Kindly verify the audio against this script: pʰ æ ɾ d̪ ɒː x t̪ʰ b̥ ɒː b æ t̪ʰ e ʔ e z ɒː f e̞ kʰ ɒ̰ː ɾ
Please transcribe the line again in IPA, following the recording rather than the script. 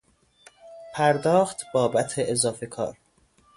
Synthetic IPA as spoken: pʰ æ ɾ d̪ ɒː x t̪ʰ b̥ ɒː b æ t̪ʰ e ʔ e z ɒː f e̞ kʰ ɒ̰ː ɾ

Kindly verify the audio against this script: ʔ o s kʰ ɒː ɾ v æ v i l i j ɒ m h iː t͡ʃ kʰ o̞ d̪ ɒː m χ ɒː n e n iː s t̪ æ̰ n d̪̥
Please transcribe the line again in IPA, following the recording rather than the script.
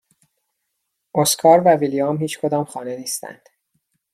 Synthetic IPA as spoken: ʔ o s kʰ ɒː ɾ v æ v i l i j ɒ m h iː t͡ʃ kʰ o̞ d̪ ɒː m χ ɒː n e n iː s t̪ æ̰ n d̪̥

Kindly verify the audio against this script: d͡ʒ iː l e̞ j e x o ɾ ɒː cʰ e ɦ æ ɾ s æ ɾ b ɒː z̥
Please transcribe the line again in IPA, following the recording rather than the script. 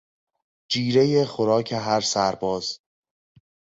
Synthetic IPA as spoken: d͡ʒ iː ɾ e̞ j e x o ɾ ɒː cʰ e ɦ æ ɾ s æ ɾ b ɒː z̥

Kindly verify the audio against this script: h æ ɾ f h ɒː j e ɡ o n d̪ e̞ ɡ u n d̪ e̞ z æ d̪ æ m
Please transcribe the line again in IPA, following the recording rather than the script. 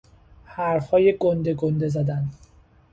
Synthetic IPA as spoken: h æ ɾ f h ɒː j e ɡ o n d̪ e̞ ɡ o n d̪ e̞ z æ d̪ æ n

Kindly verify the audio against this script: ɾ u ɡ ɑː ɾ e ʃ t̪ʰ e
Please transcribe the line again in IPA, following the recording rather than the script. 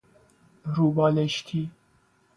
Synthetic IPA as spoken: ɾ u b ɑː l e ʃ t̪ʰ i

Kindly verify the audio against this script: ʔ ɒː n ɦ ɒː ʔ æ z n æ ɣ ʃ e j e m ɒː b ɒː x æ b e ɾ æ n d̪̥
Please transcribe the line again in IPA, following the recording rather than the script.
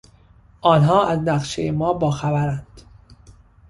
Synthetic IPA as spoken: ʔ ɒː n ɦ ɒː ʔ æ z n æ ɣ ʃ e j e m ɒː b ɒː x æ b æ ɾ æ n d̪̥

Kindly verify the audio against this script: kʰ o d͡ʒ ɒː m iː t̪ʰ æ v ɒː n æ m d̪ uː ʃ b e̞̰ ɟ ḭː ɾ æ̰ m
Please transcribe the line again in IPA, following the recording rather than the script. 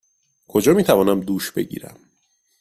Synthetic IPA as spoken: kʰ o d͡ʒ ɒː m iː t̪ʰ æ v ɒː n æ m d̪ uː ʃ b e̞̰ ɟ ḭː ɾ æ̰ m

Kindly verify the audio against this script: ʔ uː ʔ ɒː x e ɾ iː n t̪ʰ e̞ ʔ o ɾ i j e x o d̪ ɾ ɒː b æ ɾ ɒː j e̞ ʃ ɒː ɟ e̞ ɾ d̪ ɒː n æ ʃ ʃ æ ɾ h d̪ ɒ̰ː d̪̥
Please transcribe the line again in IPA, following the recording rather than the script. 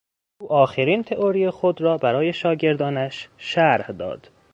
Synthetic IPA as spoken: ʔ uː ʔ ɒː x e ɾ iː n t̪ʰ e̞ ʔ o ɾ i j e x o d̪ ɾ ɒː b æ ɾ ɒː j e̞ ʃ ɒː ɟ e̞ ɾ d̪ ɒː n æ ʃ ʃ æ ɾ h d̪ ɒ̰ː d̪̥

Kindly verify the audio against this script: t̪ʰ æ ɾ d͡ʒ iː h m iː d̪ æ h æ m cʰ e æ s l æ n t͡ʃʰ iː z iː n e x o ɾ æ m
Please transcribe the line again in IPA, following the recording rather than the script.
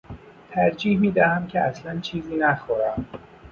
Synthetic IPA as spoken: t̪ʰ æ ɾ d͡ʒ iː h m iː d̪ æ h æ m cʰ e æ s l æ n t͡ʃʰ iː z iː n æ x o ɾ æ m

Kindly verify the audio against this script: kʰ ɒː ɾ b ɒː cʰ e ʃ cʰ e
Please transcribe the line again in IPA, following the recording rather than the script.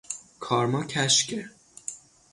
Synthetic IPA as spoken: kʰ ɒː ɾ m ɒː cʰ æ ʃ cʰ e

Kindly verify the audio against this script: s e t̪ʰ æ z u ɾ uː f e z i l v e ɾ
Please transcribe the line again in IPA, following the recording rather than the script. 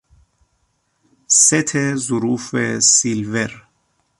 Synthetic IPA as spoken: s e t̪ʰ e z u ɾ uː f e s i l v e ɾ

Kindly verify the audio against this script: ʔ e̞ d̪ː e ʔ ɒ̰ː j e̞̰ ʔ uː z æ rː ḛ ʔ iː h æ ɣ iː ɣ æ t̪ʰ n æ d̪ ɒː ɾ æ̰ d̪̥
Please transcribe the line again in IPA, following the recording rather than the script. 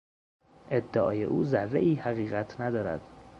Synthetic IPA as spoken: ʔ e̞ d̪ː e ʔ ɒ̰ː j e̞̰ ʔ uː z æ rː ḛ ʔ iː h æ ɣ iː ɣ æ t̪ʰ n æ d̪ ɒː ɾ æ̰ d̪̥

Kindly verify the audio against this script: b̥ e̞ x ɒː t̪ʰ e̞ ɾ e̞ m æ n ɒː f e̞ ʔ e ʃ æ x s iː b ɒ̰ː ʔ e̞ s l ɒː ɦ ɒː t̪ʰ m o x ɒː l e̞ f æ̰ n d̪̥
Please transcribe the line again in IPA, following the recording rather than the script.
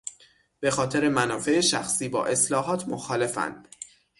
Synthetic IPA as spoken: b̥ e̞ x ɒː t̪ʰ e̞ ɾ e̞ m æ n ɒː f e̞ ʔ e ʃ æ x s iː b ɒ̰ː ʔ e̞ s l ɒː ɦ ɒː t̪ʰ m o x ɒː l e̞ f æ̰ n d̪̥

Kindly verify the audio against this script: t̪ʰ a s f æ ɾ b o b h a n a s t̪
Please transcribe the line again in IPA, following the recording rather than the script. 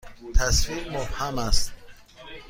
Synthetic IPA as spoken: t̪ʰ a s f i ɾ m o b h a m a s t̪

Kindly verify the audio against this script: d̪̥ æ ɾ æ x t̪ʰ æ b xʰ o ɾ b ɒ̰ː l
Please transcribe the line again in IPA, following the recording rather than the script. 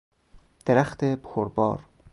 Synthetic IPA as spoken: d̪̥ e ɾ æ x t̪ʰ e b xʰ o ɾ b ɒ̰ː ɾ

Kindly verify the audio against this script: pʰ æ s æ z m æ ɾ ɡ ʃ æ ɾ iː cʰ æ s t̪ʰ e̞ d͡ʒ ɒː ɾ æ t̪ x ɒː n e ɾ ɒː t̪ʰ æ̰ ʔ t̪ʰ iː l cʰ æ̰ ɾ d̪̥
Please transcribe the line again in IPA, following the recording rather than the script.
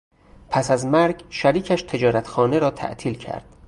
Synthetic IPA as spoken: pʰ æ s æ z m æ ɾ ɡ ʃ æ ɾ iː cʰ æ ʃ t̪ʰ e̞ d͡ʒ ɒː ɾ æ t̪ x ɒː n e ɾ ɒː t̪ʰ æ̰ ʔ t̪ʰ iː l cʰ æ̰ ɾ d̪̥

